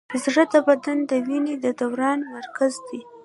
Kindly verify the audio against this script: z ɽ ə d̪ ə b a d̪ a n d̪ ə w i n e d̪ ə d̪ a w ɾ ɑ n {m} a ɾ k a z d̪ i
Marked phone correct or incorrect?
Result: correct